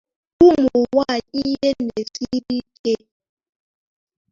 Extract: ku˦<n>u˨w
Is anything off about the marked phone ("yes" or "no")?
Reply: yes